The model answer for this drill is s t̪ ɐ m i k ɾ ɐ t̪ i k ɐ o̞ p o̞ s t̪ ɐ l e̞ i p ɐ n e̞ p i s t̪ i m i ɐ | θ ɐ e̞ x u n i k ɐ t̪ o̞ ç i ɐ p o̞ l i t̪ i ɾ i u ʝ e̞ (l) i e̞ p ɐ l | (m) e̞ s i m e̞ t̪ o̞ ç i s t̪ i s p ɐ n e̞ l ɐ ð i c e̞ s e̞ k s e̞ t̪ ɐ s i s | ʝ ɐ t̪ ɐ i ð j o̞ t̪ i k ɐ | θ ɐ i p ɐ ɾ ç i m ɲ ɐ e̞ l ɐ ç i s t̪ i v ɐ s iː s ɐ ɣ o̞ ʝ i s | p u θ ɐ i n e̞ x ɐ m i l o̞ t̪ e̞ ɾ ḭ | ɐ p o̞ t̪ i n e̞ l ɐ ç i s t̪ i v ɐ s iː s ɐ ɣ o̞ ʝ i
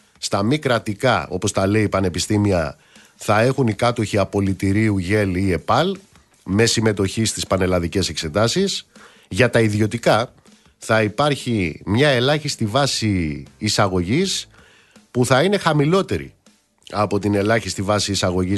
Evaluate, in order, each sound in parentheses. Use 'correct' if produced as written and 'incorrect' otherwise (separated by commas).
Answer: correct, correct